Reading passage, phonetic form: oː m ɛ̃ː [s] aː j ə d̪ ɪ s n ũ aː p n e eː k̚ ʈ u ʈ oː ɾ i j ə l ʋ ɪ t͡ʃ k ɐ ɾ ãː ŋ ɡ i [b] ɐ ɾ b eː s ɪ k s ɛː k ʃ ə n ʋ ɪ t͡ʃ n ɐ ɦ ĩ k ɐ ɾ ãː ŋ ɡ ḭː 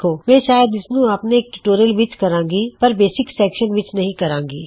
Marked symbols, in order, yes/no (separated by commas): no, no